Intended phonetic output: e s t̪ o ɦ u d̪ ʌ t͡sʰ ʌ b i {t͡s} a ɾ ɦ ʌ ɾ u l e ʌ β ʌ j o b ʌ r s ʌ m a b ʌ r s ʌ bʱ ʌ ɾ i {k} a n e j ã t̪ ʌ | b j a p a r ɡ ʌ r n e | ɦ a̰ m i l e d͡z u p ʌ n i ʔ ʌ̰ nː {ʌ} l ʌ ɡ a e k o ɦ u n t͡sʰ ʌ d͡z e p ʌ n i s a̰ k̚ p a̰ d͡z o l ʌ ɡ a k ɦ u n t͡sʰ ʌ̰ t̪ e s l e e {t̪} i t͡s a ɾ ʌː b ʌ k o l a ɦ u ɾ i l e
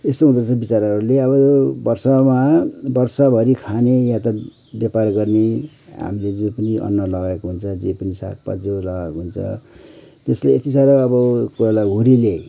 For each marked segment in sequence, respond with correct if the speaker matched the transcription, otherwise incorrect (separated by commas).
correct, incorrect, correct, correct